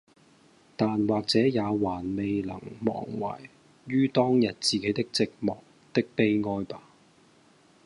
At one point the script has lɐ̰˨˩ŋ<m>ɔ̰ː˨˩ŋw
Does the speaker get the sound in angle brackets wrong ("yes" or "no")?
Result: no